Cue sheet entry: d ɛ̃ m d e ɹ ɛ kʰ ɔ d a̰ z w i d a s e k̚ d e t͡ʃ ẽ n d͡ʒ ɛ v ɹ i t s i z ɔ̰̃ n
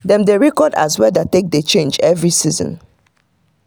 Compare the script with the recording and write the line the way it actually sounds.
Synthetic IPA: d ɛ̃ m d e ɹ ɛ k ɔ d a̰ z w ɛ d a t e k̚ d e t͡ʃ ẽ n d͡ʒ ɛ v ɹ i s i z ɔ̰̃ n